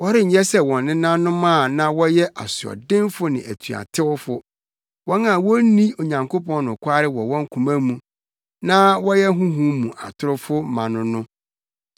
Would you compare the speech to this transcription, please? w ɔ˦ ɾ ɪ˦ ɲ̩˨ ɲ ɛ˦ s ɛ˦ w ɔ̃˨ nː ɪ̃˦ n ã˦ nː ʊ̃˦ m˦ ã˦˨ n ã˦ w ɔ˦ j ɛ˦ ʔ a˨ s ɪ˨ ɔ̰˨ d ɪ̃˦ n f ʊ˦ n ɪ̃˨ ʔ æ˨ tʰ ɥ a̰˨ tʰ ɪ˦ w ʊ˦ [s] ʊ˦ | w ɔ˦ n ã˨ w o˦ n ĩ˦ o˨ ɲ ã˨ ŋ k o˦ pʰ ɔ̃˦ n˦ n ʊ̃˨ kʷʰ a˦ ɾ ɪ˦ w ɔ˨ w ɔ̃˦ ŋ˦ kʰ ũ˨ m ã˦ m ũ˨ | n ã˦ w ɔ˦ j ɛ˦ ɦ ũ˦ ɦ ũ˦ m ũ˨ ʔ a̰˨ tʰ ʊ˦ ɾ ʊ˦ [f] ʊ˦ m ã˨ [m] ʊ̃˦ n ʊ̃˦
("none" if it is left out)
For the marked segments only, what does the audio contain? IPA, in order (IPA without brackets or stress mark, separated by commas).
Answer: f, f, n